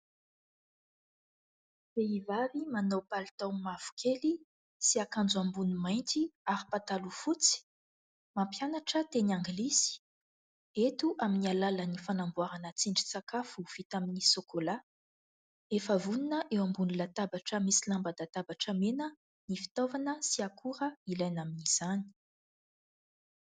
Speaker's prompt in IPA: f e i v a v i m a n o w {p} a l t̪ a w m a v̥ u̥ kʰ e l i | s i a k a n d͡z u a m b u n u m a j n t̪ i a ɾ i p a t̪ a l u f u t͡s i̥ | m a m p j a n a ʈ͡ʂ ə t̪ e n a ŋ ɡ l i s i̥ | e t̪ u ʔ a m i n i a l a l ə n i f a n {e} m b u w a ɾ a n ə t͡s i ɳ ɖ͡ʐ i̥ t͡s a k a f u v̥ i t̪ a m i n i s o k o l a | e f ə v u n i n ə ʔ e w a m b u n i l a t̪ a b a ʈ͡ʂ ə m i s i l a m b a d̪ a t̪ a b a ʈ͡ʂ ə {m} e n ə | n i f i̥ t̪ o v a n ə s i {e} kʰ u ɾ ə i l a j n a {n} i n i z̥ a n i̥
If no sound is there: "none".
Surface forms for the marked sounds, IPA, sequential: p, a, m, a, m

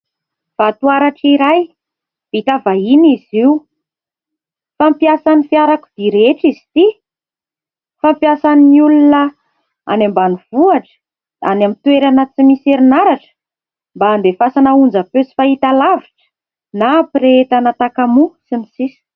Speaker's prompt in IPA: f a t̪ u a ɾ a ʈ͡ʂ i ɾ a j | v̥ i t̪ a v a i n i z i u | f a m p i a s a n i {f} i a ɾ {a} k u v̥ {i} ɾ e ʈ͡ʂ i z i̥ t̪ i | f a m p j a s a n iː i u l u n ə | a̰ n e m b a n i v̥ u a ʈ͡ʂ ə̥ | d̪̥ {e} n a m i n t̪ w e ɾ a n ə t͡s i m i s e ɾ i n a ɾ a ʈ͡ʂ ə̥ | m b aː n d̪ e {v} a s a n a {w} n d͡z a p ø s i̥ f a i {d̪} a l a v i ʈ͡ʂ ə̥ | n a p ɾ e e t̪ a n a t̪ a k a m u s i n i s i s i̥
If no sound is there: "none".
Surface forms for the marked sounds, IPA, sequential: f, a, i, a, f, u, t̪

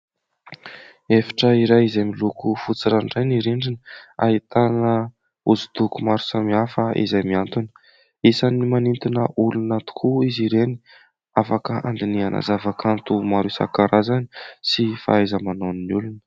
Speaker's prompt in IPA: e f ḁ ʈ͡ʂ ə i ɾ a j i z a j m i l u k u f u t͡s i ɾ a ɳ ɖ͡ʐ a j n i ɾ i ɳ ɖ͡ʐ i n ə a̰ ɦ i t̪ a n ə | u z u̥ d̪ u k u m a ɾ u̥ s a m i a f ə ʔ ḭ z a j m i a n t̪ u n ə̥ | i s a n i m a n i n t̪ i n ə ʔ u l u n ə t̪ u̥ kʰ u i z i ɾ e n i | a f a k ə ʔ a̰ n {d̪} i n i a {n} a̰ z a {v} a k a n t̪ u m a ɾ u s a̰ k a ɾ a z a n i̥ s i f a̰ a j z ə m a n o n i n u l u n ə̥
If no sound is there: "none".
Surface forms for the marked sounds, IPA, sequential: d̪, n, v

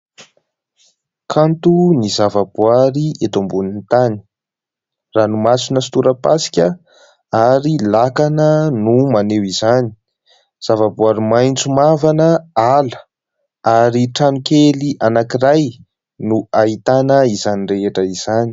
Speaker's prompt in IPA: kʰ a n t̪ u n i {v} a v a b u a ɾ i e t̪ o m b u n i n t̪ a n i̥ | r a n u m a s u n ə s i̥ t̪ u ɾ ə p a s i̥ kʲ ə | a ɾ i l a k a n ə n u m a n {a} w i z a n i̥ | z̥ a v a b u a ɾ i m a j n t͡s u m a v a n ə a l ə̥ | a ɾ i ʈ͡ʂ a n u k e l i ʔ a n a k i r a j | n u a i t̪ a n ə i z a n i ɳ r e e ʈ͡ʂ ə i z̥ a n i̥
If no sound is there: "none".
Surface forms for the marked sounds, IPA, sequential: z, e

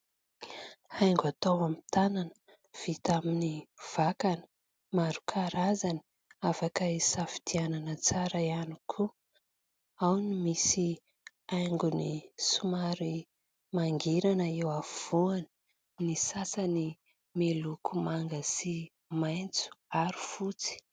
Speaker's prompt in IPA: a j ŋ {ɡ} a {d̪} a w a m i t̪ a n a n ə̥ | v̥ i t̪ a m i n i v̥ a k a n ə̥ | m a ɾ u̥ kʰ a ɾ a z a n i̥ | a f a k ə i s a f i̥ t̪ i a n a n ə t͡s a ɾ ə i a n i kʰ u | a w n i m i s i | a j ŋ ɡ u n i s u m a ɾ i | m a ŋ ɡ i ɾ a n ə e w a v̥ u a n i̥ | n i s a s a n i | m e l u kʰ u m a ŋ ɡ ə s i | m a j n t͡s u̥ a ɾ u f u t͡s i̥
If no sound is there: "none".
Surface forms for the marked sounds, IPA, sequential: ɡ, t̪

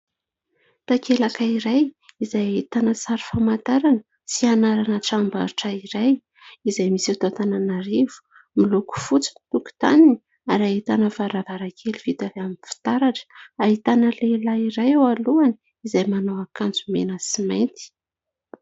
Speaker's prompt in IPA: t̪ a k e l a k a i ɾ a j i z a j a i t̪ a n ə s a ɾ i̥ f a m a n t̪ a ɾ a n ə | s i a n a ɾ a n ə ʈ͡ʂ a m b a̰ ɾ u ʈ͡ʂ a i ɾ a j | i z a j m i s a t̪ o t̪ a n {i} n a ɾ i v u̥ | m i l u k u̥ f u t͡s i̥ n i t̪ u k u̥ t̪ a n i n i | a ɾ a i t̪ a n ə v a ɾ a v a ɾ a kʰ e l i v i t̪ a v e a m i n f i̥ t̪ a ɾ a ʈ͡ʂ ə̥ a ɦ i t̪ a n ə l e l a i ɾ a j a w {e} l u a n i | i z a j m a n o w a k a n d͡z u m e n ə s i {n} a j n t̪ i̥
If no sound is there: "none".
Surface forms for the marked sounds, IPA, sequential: a, a, m

